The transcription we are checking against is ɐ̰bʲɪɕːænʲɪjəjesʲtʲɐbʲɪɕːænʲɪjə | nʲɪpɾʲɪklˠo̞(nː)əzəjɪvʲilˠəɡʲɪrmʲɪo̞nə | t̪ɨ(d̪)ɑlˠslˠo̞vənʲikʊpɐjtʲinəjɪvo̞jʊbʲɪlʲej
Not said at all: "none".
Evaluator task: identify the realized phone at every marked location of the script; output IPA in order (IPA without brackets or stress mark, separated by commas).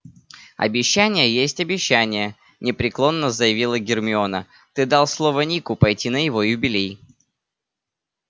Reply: nː, d̪